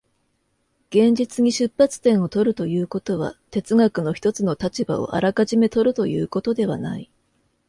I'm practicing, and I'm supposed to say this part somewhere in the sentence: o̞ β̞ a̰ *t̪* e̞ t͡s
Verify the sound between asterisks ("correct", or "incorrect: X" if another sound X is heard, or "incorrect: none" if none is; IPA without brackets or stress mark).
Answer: correct